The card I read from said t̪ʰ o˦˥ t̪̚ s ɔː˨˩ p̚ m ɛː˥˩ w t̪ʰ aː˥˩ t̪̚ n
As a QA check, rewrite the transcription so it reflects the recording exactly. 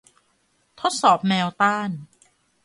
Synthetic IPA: t̪ʰ o˦˥ t̪̚ s ɔː˨˩ p̚ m ɛː˧ w t̪ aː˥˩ n